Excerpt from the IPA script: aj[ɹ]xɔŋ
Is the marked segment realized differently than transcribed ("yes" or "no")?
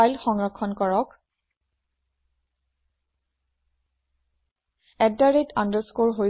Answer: yes